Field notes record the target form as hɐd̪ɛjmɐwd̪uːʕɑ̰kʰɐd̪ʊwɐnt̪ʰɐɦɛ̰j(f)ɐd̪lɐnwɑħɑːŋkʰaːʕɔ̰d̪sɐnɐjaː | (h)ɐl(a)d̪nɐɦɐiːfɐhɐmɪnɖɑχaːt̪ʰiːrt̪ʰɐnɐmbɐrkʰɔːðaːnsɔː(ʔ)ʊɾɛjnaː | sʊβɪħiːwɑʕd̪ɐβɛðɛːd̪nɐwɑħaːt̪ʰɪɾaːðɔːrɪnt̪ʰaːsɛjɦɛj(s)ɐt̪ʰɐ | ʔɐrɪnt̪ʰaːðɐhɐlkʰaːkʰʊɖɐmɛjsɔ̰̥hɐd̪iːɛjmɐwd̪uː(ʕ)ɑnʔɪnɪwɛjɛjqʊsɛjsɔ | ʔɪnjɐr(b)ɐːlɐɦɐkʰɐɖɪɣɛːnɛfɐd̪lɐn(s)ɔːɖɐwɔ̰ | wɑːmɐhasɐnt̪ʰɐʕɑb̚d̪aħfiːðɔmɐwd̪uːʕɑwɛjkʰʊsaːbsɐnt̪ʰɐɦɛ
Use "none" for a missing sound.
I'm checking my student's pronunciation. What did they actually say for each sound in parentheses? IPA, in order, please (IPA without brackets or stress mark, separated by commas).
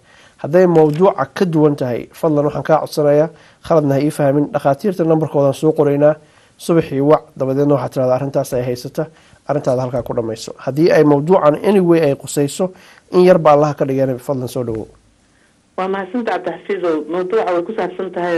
f, χ, ɐ, q, s, ʕ, b, s